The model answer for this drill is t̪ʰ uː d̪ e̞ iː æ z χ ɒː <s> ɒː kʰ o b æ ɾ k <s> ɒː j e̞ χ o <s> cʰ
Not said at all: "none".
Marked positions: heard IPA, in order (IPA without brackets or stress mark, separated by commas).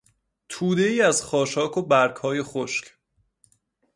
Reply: ʃ, h, ʃ